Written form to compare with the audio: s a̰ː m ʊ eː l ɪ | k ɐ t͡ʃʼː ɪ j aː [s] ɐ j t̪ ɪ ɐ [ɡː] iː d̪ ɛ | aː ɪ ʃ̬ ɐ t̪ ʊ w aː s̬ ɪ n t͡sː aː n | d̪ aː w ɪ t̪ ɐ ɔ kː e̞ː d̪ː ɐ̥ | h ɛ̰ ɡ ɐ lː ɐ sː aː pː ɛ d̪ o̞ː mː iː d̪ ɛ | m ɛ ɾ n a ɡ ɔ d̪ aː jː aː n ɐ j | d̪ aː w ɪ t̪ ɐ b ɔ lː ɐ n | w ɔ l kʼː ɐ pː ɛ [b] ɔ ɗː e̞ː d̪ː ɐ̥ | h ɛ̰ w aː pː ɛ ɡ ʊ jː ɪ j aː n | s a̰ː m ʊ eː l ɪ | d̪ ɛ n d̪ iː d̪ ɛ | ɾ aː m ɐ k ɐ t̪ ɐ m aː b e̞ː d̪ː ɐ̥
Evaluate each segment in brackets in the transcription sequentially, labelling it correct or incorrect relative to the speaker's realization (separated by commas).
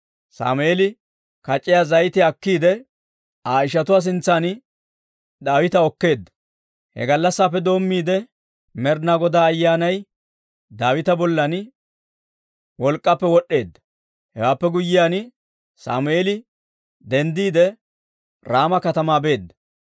incorrect, incorrect, incorrect